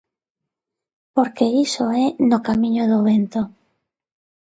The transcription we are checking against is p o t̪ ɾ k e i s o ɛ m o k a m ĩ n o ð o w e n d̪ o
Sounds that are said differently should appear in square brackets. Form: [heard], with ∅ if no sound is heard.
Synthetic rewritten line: p o [∅] ɾ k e i s o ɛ [n] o k a m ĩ [ɲ] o ð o [β] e n [t̪] o